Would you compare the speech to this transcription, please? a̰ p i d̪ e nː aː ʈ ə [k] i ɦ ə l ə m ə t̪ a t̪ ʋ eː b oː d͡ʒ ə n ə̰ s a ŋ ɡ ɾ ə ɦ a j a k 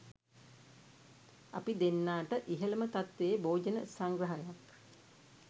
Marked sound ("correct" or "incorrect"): incorrect